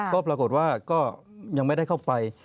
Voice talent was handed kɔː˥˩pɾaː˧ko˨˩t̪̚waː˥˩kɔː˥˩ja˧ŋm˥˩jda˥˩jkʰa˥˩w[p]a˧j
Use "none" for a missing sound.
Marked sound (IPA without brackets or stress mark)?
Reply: p